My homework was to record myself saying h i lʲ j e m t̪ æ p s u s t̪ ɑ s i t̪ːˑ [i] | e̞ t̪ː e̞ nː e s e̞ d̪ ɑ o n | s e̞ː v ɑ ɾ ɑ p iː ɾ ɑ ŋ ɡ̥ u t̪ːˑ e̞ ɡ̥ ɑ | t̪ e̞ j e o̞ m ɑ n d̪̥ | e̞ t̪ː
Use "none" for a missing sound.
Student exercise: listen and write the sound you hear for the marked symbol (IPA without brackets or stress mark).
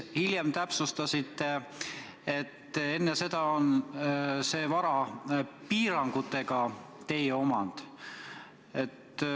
e